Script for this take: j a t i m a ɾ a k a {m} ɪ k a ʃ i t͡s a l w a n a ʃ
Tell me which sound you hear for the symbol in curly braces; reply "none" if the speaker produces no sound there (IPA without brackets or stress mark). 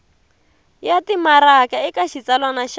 none